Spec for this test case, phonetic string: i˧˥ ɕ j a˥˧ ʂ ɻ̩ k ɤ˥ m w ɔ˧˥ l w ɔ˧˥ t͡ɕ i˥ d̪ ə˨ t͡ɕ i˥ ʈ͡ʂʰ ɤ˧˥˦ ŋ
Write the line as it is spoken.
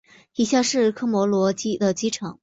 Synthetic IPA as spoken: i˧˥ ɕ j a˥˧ ʂ ɻ̩ kʰ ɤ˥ m w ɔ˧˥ l w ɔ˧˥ t͡ɕ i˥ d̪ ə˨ t͡ɕ i˥ ʈ͡ʂʰ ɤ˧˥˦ ŋ